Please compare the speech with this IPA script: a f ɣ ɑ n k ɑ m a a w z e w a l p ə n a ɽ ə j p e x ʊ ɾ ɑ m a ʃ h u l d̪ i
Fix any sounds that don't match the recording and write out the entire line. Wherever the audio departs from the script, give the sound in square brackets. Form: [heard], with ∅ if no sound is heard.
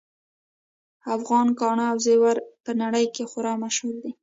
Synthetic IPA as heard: a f ɣ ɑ n k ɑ [ɳ] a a w z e w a [ɾ] p ə n a ɽ ə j [k] e x ʊ ɾ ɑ m a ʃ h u l d̪ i